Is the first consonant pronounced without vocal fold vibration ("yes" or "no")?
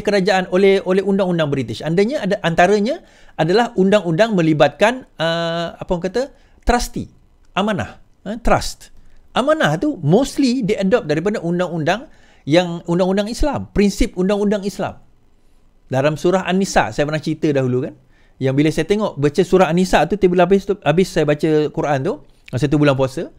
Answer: yes